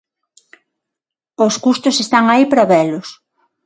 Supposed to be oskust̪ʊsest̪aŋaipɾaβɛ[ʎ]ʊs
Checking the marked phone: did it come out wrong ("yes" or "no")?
yes